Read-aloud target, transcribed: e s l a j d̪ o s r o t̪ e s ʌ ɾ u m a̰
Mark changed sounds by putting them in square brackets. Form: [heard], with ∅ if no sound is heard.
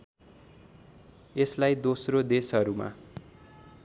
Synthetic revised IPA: e s l a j d̪ o s r o [d̪] e s ʌ ɾ u m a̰

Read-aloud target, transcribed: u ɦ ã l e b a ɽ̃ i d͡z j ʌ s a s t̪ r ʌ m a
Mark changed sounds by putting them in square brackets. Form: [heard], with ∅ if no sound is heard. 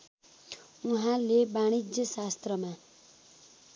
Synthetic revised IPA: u ɦ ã l e b a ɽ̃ i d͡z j ʌ s a s t̪ r ʌ m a

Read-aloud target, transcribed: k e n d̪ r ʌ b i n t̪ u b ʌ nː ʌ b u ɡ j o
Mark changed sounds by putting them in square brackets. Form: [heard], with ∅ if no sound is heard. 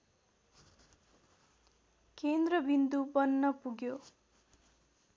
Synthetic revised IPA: k e n d̪ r ʌ b i n [d̪] u b ʌ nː ʌ [p] u ɡ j o

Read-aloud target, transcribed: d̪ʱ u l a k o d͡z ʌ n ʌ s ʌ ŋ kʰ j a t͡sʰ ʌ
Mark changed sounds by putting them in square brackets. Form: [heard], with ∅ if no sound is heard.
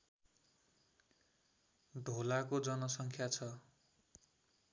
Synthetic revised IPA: d̪ʱ [o] l a k o d͡z ʌ n ʌ s ʌ ŋ kʰ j a t͡sʰ ʌ

